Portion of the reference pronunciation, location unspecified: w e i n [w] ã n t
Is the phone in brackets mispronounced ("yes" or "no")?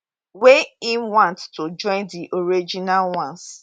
no